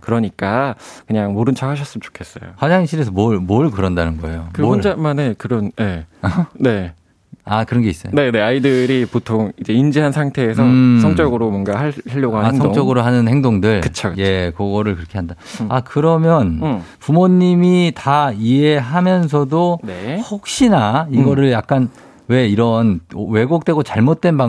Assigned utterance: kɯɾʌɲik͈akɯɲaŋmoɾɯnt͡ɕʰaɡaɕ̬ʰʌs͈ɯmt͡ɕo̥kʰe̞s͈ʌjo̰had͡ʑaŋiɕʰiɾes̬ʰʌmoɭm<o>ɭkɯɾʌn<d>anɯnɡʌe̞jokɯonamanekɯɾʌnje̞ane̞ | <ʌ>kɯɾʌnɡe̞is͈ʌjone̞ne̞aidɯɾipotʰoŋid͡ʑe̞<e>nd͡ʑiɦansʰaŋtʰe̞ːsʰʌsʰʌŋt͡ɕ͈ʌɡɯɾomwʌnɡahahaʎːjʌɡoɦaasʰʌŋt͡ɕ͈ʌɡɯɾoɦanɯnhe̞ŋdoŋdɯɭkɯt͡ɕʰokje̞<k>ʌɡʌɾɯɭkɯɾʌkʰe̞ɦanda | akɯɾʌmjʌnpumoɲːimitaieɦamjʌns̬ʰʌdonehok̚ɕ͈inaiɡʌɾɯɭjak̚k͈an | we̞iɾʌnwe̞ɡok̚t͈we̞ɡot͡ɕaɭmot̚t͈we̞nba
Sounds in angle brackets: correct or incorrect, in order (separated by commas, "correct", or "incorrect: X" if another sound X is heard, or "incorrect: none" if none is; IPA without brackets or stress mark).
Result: correct, correct, incorrect: a, incorrect: i, correct